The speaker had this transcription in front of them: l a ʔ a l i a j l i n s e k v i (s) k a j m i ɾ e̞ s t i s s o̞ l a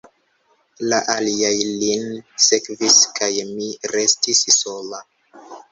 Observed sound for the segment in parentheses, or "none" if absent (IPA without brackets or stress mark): s